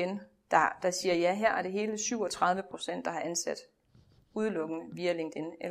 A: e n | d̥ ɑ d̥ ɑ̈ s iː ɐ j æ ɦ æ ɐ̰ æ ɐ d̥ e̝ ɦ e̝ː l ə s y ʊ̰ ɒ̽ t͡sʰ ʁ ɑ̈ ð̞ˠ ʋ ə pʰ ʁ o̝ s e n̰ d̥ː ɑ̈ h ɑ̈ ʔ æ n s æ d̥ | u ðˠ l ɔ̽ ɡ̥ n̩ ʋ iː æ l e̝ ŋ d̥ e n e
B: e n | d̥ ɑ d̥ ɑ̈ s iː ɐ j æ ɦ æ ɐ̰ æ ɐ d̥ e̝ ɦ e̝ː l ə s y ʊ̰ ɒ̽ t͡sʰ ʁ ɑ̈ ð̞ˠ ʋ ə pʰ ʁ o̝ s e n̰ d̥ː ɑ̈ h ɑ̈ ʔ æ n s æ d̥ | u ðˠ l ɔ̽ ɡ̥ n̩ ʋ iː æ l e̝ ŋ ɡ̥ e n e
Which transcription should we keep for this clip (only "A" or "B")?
A